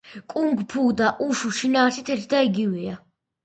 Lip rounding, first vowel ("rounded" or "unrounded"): rounded